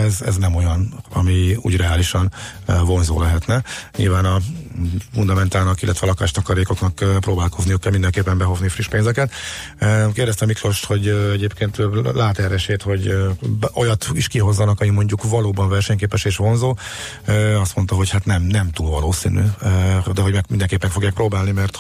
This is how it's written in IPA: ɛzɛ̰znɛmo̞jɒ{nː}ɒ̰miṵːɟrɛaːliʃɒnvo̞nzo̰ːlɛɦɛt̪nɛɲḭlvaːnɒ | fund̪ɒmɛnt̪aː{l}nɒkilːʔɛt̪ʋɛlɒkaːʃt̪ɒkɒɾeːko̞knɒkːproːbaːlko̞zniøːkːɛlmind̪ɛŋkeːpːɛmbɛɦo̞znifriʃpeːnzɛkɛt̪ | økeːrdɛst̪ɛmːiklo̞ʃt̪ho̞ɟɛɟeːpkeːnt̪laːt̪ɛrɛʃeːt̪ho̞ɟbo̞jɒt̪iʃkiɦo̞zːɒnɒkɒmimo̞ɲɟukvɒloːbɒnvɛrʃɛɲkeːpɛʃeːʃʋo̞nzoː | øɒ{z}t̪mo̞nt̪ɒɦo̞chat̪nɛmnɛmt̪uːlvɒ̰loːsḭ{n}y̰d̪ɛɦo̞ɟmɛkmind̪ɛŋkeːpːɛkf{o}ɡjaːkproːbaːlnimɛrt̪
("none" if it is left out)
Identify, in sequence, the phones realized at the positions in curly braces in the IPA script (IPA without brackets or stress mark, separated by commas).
n, l, s, n, o